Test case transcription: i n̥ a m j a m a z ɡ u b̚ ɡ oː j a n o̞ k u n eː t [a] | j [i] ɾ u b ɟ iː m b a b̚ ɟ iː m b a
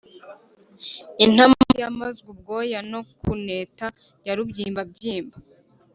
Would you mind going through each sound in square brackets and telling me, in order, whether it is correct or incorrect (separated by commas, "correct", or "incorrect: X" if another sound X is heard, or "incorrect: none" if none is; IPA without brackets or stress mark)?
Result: correct, incorrect: a